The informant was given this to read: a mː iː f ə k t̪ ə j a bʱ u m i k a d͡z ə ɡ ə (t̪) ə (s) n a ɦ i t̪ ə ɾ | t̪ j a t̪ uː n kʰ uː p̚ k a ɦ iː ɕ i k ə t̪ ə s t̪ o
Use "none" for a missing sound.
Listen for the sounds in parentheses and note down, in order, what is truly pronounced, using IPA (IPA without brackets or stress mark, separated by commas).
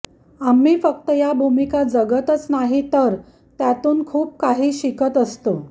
t̪, t͡s